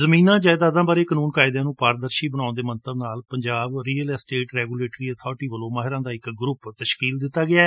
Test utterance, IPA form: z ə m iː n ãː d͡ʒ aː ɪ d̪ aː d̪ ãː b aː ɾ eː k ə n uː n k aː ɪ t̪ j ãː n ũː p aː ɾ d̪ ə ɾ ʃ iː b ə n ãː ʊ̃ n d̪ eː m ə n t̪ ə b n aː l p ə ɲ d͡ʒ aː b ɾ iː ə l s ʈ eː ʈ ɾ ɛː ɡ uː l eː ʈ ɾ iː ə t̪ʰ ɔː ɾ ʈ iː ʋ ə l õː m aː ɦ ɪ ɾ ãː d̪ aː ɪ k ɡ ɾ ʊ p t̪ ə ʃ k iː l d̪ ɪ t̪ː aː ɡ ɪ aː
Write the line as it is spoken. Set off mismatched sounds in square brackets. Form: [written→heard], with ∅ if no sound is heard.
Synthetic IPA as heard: z ə m iː n ãː d͡ʒ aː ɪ d̪ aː d̪ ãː b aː ɾ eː k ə n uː n k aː ɪ [t̪→d̪] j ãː n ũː p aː ɾ d̪ ə ɾ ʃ iː b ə n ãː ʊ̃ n d̪ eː m ə n t̪ ə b n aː l p ə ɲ d͡ʒ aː b ɾ iː ə l s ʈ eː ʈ ɾ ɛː ɡ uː l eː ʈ ɾ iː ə t̪ʰ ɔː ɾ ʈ iː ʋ ə l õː m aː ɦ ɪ ɾ ãː d̪ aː ɪ k ɡ ɾ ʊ p t̪ ə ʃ k iː l d̪ ɪ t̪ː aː ɡ ɪ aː